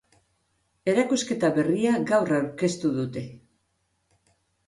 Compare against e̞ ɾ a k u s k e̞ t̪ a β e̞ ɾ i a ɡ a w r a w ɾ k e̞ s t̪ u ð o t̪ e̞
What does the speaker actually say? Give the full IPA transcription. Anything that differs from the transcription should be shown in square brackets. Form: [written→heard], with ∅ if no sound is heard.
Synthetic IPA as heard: e̞ ɾ a k u s k e̞ t̪ a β e̞ [ɾ→r] i a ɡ a w r a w ɾ k e̞ s t̪ u ð [o→u] t̪ e̞